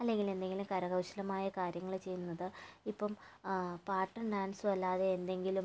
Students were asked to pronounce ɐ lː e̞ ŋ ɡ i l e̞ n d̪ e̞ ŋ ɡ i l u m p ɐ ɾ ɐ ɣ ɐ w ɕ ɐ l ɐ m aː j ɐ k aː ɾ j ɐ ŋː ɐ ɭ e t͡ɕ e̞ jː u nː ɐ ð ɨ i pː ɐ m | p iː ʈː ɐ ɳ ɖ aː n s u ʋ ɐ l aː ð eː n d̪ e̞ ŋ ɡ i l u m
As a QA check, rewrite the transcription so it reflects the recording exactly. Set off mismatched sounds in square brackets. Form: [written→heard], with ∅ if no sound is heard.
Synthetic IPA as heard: ɐ lː e̞ ŋ ɡ i l e̞ n d̪ e̞ ŋ ɡ i l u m [p→k] ɐ ɾ ɐ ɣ ɐ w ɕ ɐ l ɐ m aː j ɐ k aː ɾ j ɐ ŋː ɐ ɭ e t͡ɕ e̞ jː u nː ɐ ð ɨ i pː ɐ m | p [iː→aː] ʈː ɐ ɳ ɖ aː n s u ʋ ɐ [l→lː] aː ð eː n d̪ e̞ ŋ ɡ i l u m